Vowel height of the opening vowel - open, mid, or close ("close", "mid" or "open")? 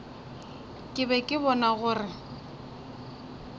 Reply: close